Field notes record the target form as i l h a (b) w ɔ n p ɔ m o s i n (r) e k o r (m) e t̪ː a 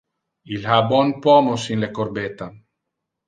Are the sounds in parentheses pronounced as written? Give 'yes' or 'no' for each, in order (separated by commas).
yes, no, no